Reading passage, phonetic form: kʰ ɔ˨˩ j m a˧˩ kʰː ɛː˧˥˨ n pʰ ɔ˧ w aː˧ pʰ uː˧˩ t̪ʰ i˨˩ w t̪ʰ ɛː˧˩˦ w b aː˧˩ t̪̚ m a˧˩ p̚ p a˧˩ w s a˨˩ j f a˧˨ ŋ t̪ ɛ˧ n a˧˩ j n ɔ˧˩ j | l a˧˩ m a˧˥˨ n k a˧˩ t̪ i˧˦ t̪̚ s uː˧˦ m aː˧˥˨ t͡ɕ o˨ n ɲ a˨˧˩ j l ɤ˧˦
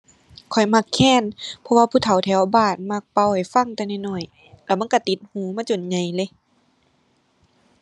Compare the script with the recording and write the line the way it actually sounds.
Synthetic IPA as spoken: kʰ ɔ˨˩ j m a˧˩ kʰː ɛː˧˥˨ n pʰ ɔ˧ w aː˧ pʰ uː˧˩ t̪ʰ a˨˩ w t̪ʰ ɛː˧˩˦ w b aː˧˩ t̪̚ m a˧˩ k̚ p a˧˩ w h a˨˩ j f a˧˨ ŋ t̪ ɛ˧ n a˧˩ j n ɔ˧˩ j | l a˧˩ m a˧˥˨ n k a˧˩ t̪ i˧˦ t̪̚ h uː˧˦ m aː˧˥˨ t͡ɕ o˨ n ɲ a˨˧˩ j l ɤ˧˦